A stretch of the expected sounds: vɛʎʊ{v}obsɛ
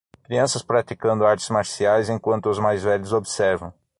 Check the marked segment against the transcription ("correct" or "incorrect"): incorrect